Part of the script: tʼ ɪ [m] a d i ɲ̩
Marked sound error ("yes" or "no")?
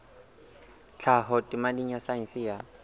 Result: no